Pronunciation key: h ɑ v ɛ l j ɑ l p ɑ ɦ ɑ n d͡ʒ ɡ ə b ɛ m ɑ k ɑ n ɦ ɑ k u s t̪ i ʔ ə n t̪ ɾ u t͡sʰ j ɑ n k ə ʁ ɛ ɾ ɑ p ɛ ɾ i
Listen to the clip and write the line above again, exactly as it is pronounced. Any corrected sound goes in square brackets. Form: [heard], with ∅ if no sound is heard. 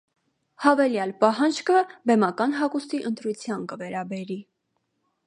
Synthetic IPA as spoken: h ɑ v ɛ l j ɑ l p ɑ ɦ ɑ n d͡ʒ [k] ə b ɛ m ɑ k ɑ n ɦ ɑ k u s t̪ i ʔ ə n t̪ ɾ u t͡sʰ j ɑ n k ə [v] ɛ ɾ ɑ [b] ɛ ɾ i

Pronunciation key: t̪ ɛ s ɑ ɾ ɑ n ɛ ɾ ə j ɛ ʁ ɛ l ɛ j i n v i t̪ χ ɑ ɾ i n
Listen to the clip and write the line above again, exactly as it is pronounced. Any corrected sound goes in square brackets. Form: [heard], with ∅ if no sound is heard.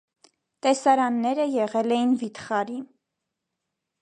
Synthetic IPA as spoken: t̪ ɛ s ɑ ɾ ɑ [nː] ɛ ɾ ə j ɛ ʁ ɛ l ɛ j i n v i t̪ χ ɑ ɾ i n

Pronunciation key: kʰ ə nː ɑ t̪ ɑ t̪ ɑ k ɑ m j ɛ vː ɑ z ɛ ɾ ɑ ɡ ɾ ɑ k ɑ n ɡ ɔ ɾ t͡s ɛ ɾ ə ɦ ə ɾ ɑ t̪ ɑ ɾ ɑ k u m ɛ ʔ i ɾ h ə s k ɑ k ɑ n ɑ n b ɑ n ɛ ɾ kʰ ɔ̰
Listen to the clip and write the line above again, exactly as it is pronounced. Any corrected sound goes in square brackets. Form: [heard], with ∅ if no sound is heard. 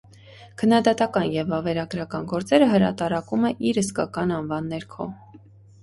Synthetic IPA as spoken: kʰ ə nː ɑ [d̪] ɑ t̪ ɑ k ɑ [n] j ɛ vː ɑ [v] ɛ ɾ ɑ ɡ ɾ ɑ k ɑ n ɡ ɔ ɾ t͡s ɛ ɾ ə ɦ ə ɾ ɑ t̪ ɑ ɾ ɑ k u m ɛ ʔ i ɾ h ə s k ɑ k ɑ n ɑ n [v] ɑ [nː] ɛ ɾ kʰ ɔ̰

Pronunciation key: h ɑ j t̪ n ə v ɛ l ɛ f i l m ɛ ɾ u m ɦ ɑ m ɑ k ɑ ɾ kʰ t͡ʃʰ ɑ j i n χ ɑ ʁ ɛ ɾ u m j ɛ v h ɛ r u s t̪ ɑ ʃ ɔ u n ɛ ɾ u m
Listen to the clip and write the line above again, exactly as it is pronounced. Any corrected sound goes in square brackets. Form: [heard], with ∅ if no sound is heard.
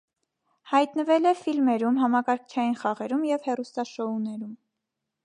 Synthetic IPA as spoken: h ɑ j t̪ n ə v ɛ l ɛ f i l m ɛ ɾ u m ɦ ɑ m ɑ k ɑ ɾ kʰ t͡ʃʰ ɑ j i n χ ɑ ʁ ɛ ɾ u m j ɛ v h ɛ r u s t̪ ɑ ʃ ɔ u n ɛ ɾ u m

